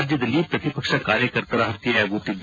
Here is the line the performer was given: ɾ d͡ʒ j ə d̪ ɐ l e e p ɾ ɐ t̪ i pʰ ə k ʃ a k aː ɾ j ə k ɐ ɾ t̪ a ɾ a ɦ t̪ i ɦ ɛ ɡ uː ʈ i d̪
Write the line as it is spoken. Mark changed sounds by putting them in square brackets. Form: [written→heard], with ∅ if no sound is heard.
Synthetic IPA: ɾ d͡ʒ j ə d̪ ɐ l [e→i] e p ɾ ɐ t̪ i [pʰ→p] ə k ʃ a k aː ɾ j ə k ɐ ɾ t̪ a ɾ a ɦ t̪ i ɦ ɛ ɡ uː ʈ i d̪